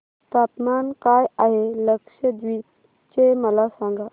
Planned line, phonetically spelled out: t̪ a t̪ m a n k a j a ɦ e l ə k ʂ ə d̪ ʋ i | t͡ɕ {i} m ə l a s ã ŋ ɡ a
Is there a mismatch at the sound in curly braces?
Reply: yes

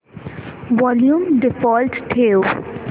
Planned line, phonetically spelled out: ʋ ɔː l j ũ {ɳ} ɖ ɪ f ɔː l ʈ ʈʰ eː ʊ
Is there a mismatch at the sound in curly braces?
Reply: yes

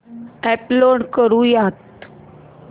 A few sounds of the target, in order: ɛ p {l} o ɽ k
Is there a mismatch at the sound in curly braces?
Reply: no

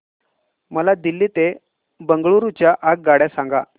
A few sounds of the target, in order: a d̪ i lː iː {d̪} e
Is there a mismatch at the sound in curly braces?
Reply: yes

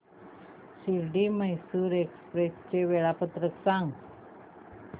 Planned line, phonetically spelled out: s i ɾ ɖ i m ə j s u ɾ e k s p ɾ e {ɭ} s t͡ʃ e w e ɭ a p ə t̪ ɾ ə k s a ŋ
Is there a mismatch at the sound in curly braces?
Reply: yes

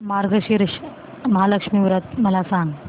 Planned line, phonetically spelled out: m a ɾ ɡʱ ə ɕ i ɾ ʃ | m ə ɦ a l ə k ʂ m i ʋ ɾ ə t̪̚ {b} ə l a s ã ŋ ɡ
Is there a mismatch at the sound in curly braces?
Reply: yes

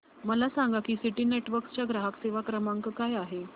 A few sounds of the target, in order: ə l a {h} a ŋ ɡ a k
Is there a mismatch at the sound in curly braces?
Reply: yes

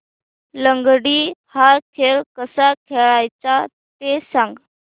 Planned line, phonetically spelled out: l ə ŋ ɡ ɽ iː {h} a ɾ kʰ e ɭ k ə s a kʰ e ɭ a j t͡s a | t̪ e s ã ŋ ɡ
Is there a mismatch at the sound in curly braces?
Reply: no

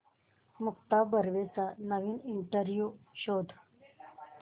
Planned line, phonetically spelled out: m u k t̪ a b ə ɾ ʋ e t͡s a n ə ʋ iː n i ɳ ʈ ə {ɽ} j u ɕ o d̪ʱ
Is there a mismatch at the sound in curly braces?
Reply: yes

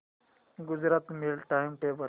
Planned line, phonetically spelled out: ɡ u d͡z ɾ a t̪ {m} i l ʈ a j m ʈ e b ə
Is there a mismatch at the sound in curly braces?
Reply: no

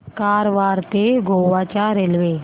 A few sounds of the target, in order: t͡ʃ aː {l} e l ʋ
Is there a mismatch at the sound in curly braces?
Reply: yes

